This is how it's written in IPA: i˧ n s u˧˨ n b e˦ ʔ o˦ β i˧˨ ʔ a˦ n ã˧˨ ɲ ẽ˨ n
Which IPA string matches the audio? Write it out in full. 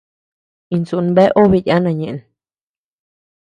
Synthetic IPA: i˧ n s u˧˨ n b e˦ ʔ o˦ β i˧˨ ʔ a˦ n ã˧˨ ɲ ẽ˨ n